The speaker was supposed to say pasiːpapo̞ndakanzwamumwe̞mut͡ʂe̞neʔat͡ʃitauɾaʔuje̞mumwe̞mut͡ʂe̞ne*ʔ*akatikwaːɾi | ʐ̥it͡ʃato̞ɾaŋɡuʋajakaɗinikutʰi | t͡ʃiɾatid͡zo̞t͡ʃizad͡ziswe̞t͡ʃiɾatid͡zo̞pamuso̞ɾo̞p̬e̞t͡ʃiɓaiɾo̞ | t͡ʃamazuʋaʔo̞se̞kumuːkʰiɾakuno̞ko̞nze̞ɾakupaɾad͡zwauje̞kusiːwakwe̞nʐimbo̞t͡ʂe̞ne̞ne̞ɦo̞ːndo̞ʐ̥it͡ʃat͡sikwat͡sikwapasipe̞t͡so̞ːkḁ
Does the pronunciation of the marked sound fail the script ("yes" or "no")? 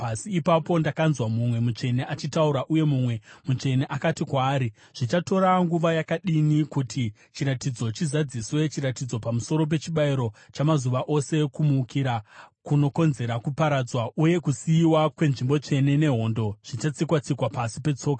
no